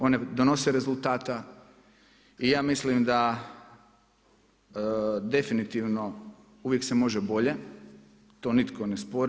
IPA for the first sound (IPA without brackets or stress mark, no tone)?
o̞